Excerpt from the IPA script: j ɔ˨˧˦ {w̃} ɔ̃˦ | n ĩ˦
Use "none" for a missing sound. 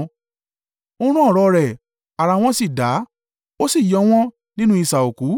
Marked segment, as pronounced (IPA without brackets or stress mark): w̃